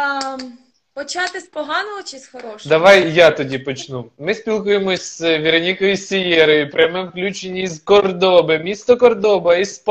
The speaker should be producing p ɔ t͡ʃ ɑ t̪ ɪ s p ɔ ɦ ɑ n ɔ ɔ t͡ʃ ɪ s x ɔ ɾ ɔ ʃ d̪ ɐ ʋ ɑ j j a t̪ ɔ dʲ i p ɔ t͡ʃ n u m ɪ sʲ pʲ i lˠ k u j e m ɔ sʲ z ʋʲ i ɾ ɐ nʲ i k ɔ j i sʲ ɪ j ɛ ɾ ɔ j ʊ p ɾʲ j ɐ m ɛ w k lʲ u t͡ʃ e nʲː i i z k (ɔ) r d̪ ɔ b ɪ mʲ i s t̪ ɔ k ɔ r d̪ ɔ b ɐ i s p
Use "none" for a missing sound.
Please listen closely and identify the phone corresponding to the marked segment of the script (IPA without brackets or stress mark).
ɔ